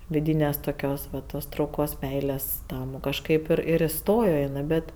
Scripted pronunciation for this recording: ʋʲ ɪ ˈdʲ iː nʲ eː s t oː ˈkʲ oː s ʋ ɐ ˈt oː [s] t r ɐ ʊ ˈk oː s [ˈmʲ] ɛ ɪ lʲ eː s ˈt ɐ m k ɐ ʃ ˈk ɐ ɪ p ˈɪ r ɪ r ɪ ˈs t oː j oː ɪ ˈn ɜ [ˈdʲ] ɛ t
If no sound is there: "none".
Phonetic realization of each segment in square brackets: s, mʲ, bʲ

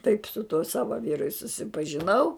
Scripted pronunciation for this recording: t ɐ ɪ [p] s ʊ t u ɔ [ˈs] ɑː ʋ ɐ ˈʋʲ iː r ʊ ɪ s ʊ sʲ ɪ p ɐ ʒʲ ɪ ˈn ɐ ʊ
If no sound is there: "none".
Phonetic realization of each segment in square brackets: p, s

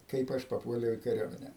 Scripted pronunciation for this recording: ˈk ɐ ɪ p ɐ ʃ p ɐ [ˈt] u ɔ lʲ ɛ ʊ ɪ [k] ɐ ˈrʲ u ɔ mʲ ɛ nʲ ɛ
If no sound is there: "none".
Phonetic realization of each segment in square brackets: p, k

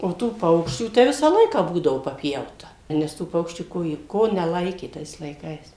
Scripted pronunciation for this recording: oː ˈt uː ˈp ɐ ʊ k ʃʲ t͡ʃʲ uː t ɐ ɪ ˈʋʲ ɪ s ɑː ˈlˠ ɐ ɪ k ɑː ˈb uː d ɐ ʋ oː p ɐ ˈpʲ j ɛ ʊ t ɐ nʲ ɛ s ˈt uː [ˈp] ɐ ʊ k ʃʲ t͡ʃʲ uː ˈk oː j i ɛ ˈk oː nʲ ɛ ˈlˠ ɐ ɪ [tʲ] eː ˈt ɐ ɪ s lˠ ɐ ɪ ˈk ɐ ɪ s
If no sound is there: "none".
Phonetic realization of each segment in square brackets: p, kʲ

